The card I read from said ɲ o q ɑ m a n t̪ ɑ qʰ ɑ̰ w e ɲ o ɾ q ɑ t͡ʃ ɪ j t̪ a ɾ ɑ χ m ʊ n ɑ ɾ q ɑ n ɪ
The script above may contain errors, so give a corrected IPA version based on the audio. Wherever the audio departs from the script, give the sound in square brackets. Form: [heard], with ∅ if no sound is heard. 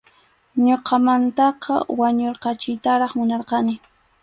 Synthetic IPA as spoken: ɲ o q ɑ m a n t̪ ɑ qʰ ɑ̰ w [a] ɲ o ɾ q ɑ t͡ʃ ɪ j t̪ a ɾ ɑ χ m ʊ n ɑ ɾ q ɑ n ɪ

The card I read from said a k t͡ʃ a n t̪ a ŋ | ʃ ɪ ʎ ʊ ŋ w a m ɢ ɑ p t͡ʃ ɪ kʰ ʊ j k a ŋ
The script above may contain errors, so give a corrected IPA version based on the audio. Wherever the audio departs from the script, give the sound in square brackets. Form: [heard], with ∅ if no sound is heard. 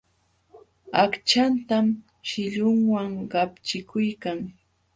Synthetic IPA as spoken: a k t͡ʃ a n t̪ a [m] | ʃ ɪ ʎ ʊ ŋ w a [ŋ] ɢ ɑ p t͡ʃ ɪ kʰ ʊ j k a ŋ

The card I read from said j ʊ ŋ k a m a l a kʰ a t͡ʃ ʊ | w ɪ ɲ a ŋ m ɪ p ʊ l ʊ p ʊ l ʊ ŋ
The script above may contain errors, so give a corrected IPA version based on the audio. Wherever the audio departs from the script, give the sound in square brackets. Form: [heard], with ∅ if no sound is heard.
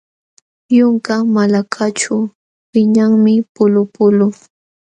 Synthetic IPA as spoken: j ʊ ŋ k a m a l a kʰ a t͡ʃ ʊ | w ɪ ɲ a ŋ m ɪ p ʊ l ʊ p ʊ l ʊ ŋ

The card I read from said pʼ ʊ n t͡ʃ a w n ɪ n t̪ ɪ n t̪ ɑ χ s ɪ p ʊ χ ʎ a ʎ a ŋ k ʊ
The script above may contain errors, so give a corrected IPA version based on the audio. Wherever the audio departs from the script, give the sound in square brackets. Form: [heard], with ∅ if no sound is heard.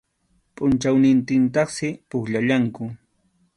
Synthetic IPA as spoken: pʼ ʊ n t͡ʃ a w n ɪ n t̪ ɪ n t̪ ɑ χ s ɪ p ʊ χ ʎ a ʎ a ŋ k ʊ

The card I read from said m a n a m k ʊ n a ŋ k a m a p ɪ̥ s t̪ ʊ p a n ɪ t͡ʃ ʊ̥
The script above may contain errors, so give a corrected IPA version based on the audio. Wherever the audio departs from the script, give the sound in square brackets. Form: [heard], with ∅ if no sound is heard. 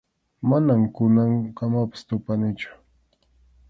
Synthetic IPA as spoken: m a n a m k ʊ n a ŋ k a m a p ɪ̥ s t̪ ʊ p a n ɪ t͡ʃ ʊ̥

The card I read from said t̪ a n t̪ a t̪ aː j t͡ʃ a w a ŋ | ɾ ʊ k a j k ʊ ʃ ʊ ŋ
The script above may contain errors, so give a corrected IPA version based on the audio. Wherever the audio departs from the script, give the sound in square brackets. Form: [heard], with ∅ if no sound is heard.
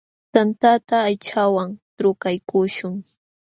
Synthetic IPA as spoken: t̪ a n t̪ a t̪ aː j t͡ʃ a w a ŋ | ɾ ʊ k a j k ʊ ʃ ʊ ŋ

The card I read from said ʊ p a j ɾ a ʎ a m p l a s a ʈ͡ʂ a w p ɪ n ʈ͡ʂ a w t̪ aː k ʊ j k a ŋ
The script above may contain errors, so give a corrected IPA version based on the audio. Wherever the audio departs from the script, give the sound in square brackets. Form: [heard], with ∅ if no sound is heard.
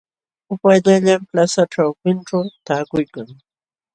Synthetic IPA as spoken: ʊ p a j [ʎ] a ʎ a m p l a s a ʈ͡ʂ a w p ɪ n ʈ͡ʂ a w t̪ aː k ʊ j k a ŋ

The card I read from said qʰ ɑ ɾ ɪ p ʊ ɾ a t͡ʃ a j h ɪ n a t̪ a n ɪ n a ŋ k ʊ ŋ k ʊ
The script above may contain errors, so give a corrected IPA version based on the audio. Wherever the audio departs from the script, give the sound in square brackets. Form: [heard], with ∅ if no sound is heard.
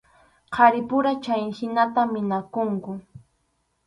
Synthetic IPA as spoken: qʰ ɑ ɾ ɪ p ʊ ɾ a t͡ʃ a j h ɪ n a t̪ a [m] ɪ n a [∅] k ʊ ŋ k ʊ

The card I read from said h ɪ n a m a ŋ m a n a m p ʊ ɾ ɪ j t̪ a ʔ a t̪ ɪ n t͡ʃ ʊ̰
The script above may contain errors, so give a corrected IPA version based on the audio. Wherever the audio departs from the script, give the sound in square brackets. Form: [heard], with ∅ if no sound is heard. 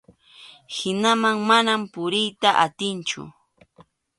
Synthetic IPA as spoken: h ɪ n a m a ŋ m a n a m p ʊ ɾ ɪ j t̪ a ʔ a t̪ ɪ n t͡ʃ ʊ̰

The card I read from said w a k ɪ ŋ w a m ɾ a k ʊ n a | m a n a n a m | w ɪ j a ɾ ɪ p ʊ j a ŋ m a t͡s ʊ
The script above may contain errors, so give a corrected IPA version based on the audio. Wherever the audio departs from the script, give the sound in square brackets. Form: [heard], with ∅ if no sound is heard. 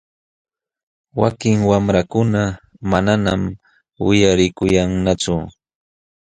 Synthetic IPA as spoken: w a k ɪ ŋ w a m ɾ a k ʊ n a | m a n a n a m | w ɪ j a ɾ ɪ [k] ʊ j a ŋ [n] a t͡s ʊ

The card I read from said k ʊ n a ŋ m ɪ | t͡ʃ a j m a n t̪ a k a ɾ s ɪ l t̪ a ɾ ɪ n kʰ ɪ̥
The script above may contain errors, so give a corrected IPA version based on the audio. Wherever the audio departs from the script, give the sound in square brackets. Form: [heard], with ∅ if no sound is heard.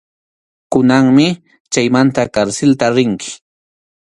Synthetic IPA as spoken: k ʊ n a ŋ m ɪ | t͡ʃ a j m a n t̪ a k a ɾ s ɪ l t̪ a ɾ ɪ [ŋ] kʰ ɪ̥

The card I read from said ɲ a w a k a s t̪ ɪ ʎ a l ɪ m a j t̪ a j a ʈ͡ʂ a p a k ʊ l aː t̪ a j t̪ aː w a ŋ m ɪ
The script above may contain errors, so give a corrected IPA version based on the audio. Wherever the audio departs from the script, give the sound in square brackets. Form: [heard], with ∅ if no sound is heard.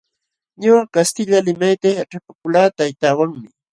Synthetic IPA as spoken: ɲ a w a k a s t̪ ɪ ʎ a l ɪ m a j t̪ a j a ʈ͡ʂ a p a k ʊ l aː t̪ a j t̪ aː w a ŋ m ɪ

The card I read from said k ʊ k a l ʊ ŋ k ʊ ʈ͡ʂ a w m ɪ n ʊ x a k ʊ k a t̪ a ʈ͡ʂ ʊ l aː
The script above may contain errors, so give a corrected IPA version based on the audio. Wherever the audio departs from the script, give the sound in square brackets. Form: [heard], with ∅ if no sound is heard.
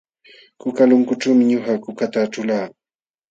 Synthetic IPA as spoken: k ʊ k a l ʊ ŋ k ʊ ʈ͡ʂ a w m ɪ [ɲ] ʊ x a k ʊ k a t̪ a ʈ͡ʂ ʊ l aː

